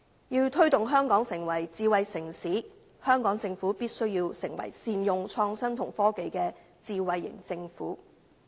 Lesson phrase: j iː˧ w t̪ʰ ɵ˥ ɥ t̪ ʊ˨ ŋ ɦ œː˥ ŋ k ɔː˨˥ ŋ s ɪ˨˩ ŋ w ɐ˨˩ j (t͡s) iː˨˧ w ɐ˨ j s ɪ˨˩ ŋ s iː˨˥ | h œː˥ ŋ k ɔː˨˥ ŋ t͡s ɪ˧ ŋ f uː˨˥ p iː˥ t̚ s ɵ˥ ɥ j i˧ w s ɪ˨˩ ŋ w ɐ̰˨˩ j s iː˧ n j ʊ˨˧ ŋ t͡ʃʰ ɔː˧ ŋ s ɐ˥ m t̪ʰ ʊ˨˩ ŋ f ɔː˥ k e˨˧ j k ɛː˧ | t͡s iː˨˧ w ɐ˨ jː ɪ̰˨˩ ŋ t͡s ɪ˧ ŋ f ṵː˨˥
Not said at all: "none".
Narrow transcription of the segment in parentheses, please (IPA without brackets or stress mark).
t͡s